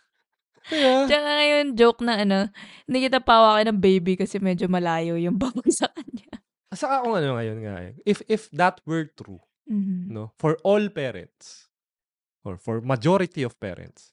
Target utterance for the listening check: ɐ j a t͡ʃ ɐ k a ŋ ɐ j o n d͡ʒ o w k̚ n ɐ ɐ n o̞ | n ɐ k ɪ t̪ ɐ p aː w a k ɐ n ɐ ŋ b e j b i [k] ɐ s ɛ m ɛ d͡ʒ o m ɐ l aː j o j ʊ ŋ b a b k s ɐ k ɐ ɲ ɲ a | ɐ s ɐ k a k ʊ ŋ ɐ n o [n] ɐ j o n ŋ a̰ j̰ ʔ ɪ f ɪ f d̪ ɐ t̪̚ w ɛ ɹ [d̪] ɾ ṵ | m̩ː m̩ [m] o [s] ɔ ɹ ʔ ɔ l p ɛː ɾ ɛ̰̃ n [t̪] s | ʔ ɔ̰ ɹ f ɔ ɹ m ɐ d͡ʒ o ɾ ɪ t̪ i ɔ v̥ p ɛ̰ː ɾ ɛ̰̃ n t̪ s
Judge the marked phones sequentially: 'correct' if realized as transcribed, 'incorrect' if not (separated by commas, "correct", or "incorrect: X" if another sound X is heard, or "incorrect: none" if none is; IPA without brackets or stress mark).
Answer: correct, incorrect: ŋ, incorrect: t̪, incorrect: n, incorrect: f, correct